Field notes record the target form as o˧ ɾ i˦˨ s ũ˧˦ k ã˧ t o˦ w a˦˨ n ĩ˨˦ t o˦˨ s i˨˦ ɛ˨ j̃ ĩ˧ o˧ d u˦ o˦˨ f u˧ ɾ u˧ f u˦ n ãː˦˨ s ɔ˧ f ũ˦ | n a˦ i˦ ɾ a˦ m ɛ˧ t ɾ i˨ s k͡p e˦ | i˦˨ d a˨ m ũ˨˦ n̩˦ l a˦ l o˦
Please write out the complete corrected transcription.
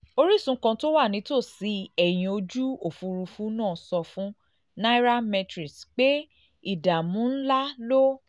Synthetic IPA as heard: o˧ ɾ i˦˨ s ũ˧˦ k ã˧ t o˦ w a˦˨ n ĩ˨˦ t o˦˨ s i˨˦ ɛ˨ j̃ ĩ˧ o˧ d͡ʒ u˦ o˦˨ f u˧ ɾ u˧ f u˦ n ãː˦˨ s ɔ˧ f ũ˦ | n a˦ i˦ ɾ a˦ m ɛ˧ t ɾ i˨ s k͡p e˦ | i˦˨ d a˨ m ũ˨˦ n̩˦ l a˦ l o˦